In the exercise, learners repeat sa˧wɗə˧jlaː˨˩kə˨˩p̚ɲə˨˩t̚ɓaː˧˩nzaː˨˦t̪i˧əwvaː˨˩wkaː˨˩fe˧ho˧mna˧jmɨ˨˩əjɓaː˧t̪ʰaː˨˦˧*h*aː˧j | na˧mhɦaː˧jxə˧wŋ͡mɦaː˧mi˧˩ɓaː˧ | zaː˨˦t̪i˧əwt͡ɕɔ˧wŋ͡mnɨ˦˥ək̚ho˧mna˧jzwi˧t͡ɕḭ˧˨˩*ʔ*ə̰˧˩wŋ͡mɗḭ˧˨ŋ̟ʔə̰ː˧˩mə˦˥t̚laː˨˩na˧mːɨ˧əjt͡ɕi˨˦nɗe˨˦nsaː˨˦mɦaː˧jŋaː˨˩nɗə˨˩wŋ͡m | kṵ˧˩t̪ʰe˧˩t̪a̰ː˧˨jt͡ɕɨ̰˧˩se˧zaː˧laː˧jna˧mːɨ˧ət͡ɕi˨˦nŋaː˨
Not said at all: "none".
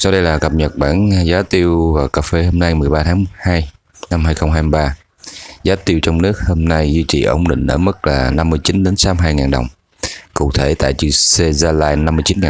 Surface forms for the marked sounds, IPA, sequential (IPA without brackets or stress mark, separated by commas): h, ʔ